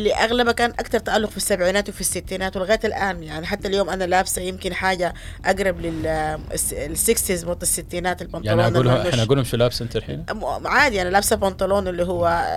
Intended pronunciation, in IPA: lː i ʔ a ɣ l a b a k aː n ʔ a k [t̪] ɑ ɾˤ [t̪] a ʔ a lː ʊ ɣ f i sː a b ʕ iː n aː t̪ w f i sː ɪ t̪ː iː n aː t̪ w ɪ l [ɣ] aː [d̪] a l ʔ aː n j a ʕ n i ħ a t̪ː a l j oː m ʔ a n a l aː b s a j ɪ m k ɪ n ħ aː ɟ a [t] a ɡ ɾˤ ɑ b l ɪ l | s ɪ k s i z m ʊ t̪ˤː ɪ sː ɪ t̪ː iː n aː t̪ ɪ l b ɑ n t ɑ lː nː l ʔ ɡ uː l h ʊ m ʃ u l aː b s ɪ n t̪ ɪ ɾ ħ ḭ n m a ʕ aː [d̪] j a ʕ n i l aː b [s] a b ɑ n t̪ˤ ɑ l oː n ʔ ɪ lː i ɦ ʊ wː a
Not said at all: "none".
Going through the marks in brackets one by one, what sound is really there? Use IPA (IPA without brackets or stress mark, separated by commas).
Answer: t̪, t̪, ɣ, t̪, ʔ, d̪, s